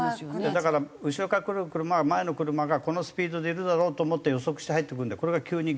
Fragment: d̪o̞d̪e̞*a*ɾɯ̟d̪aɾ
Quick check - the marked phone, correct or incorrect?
incorrect